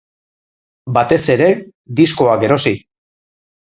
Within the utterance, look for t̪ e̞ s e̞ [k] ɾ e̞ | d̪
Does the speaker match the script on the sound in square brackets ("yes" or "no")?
no